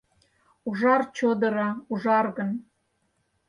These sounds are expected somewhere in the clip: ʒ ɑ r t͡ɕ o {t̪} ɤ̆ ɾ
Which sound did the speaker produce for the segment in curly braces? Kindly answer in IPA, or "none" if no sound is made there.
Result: d̪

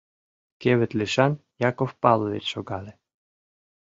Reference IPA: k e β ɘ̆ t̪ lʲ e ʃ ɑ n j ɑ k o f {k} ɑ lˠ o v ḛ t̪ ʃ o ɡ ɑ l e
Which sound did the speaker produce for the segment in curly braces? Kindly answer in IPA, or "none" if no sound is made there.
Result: p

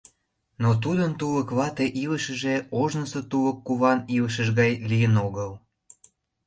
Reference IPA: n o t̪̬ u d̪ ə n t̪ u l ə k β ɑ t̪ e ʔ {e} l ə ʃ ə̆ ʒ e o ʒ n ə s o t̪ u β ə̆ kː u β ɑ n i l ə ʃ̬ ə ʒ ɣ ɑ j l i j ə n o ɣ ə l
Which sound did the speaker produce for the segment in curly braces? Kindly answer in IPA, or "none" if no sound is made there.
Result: i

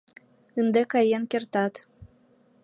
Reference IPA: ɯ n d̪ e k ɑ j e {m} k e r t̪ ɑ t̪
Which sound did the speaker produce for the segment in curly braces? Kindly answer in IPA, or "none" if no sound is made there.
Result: n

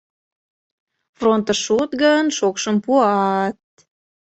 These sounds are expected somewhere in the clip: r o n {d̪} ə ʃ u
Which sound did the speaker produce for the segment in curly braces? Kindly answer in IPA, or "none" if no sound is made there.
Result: t̪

